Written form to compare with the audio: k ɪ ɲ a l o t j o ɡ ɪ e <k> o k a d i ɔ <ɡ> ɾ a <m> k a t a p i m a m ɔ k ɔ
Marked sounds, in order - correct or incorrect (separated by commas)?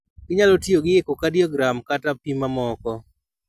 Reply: correct, correct, correct